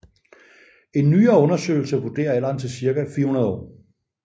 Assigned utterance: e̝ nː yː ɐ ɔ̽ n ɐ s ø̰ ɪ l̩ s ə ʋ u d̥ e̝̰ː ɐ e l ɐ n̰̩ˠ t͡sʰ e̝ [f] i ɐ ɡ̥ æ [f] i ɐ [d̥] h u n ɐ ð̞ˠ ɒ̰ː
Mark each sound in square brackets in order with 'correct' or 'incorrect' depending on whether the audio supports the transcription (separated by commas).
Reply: incorrect, correct, incorrect